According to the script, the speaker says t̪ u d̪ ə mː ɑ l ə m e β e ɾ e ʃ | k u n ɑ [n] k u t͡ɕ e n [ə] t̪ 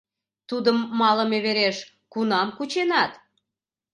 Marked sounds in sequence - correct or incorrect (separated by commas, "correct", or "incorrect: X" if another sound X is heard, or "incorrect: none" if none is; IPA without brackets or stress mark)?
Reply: incorrect: m, incorrect: ɑ